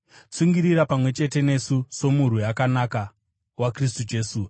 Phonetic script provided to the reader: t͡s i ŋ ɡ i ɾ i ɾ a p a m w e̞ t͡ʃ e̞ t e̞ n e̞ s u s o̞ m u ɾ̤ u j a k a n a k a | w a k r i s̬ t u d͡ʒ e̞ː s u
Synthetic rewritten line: t͡s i ŋ ɡ i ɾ i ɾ a p a m w e̞ t͡ʃ e̞ t e̞ n e̞ s u s o̞ m u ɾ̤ u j a k a n a k a | w a k r i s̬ t u d͡ʒ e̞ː s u